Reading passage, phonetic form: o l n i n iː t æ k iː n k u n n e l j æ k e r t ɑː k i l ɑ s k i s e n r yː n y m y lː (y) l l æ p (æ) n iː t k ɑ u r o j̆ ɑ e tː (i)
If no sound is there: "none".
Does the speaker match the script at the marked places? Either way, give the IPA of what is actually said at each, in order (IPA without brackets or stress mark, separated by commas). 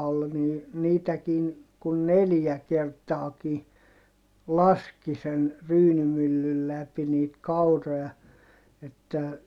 y, i, æ